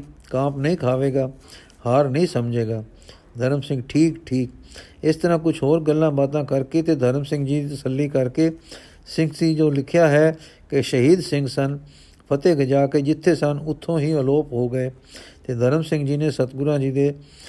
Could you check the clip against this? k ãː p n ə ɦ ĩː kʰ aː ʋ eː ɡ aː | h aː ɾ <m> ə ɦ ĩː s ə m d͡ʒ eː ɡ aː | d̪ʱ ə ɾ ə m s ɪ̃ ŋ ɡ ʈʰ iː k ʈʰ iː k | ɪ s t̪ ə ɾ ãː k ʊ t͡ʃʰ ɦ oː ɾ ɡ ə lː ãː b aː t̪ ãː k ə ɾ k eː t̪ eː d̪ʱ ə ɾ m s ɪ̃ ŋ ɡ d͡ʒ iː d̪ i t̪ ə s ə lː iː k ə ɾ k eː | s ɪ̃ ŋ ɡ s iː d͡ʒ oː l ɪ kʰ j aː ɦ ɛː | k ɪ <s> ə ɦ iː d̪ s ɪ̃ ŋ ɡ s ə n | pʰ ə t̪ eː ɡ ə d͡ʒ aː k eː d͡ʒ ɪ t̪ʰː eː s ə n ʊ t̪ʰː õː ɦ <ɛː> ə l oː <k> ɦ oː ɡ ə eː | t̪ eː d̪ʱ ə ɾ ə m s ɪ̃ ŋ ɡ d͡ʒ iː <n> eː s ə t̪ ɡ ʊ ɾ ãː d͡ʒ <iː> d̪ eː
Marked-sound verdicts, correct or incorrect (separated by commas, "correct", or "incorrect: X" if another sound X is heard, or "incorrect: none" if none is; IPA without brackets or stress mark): incorrect: n, incorrect: ʃ, incorrect: iː, incorrect: p, correct, correct